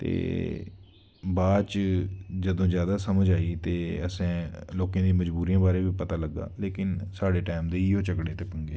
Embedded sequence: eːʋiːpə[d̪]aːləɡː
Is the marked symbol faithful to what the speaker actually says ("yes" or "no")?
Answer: no